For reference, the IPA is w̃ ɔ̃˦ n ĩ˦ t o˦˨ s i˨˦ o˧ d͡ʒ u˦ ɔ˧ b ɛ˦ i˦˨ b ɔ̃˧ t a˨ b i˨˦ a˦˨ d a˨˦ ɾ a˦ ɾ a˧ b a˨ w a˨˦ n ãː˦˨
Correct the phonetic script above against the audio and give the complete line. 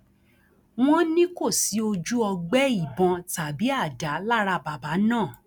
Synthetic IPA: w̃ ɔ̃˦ n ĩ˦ k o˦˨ s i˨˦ o˧ d͡ʒ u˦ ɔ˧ ɡ͡b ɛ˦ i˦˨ b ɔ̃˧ t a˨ b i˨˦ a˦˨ d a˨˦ l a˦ ɾ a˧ b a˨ b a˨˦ n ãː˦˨